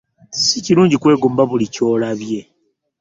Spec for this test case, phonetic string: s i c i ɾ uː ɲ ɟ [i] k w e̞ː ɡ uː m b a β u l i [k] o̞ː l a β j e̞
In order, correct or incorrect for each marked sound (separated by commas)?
correct, incorrect